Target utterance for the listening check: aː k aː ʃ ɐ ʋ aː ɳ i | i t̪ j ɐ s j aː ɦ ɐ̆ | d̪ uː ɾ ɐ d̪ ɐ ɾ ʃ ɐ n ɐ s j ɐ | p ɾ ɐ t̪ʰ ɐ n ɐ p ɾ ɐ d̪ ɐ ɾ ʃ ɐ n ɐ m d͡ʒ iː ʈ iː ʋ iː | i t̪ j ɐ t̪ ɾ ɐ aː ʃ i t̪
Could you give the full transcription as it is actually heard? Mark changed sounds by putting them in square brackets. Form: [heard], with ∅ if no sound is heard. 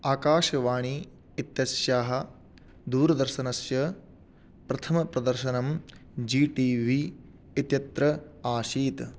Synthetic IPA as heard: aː k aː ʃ ɐ ʋ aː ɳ i | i t̪ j ɐ s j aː ɦ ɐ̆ | d̪ uː ɾ ɐ d̪ ɐ ɾ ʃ ɐ n ɐ s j ɐ | p ɾ ɐ t̪ʰ ɐ [m] ɐ p ɾ ɐ d̪ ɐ ɾ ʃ ɐ n ɐ m d͡ʒ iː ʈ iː ʋ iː | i t̪ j ɐ t̪ ɾ ɐ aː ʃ [iː] t̪